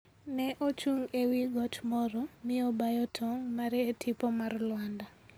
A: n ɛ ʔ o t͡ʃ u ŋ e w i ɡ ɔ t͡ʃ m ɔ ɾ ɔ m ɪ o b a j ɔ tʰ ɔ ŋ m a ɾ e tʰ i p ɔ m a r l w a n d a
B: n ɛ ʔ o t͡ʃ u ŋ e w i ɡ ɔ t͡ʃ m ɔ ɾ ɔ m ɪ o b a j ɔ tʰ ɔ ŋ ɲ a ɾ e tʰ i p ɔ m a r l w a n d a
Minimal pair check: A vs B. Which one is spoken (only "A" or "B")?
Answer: A